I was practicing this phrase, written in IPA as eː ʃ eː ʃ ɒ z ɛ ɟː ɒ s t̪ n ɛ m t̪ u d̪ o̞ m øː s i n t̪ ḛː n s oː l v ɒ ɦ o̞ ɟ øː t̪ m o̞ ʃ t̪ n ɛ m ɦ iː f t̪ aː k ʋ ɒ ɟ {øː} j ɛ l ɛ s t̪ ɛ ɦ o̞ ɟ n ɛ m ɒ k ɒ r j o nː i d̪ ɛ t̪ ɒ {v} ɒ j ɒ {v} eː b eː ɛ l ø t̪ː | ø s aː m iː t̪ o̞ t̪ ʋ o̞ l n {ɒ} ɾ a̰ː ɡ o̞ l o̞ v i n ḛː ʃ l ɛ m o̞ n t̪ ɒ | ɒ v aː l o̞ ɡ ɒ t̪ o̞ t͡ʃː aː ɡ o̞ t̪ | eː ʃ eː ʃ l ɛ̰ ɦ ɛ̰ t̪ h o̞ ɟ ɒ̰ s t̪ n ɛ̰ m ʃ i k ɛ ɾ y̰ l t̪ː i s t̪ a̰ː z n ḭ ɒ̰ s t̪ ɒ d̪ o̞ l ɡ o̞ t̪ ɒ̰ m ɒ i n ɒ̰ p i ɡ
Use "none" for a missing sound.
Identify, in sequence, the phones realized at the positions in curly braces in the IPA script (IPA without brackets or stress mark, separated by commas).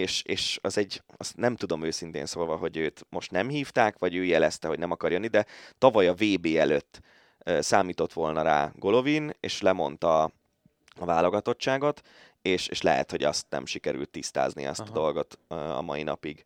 øː, v, v, ɒ